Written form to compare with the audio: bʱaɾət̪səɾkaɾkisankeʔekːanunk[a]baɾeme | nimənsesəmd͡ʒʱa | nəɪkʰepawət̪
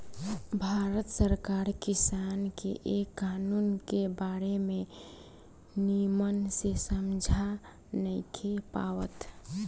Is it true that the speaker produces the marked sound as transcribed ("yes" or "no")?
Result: no